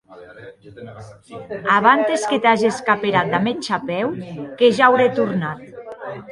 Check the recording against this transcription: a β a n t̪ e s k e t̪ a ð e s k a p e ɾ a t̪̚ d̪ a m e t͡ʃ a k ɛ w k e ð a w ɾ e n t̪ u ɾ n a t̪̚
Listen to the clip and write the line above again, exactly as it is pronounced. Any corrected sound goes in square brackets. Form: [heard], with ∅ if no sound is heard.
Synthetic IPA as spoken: a β a n t̪ e s k e t̪ a [ʒ] e s k a p e ɾ a t̪̚ d̪ a m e t͡ʃ a [p] ɛ w k e [ʒ] a w ɾ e [∅] t̪ u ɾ n a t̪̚